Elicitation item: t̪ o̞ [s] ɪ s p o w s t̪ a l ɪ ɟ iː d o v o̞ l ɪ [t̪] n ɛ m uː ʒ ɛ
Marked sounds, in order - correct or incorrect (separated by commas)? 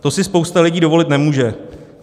correct, correct